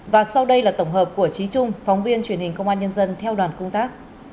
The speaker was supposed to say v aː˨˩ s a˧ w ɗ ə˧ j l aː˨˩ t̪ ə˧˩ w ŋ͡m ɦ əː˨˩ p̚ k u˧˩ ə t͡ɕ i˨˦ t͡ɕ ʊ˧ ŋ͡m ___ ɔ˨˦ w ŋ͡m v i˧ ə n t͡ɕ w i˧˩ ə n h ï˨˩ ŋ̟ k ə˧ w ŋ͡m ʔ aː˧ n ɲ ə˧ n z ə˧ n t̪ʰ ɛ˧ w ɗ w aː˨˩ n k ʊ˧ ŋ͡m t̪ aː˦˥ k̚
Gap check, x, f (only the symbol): f